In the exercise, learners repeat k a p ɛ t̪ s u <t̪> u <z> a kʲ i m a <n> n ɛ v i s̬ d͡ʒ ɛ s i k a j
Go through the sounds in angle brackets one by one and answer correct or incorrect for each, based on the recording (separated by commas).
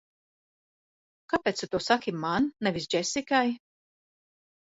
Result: correct, incorrect, correct